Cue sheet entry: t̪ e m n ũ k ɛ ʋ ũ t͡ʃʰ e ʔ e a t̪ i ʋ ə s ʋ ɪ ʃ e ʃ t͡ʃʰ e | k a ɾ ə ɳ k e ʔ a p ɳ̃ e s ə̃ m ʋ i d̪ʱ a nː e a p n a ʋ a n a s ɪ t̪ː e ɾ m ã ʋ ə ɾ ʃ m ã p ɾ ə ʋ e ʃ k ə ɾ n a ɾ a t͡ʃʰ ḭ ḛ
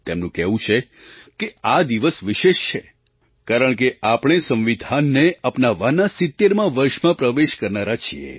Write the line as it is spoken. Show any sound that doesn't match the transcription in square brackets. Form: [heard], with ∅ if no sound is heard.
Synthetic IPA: t̪ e m n ũ k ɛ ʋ ũ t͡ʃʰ e [k] e a [d̪] i ʋ ə s ʋ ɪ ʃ e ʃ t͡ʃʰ e | k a ɾ ə ɳ k e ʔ a p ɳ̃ e s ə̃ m ʋ i d̪ʱ a nː e a p n a ʋ a n a s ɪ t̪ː e ɾ m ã ʋ ə ɾ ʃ m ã p ɾ ə ʋ e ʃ k ə ɾ n a ɾ a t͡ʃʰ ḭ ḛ